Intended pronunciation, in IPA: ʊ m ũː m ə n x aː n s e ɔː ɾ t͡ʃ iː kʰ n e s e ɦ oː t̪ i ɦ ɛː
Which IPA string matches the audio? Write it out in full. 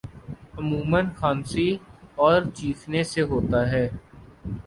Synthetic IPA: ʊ m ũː m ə n x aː n s i ɔː ɾ t͡ʃ iː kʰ n e s e ɦ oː t̪ a ɦ ɛː